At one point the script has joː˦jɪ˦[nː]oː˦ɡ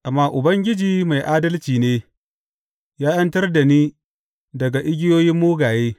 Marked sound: incorrect: mː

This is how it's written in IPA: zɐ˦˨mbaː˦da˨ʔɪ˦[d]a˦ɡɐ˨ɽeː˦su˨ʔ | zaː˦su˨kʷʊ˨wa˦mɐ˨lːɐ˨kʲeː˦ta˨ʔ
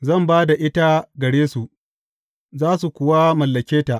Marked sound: incorrect: t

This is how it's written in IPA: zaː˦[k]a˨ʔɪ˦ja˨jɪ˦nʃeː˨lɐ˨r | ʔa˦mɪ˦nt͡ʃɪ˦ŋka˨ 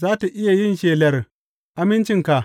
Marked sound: incorrect: t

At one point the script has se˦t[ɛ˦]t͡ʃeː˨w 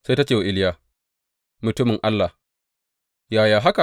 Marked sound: incorrect: a˦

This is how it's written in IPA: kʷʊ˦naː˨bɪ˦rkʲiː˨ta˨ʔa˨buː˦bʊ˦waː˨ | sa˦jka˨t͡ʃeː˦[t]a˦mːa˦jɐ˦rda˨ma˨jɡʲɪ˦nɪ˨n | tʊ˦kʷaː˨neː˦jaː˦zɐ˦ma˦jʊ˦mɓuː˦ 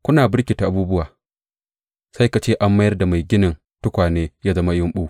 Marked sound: incorrect: ʔ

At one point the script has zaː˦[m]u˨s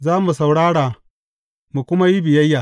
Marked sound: correct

